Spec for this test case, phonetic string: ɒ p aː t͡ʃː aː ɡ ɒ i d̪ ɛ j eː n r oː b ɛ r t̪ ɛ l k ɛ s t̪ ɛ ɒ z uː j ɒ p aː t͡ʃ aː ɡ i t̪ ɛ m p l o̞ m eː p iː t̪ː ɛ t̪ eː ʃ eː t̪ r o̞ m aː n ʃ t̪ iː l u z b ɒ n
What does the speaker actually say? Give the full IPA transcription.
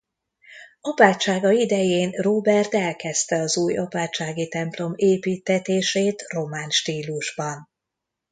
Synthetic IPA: ɒ p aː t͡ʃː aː ɡ ɒ i d̪ ɛ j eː n r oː b ɛ r t̪ ɛ l k ɛ s t̪ ɛ ɒ z uː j ɒ p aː t͡ʃ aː ɡ i t̪ ɛ m p l o̞ m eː p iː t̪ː ɛ t̪ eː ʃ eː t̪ r o̞ m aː n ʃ t̪ iː l u ʒ b ɒ n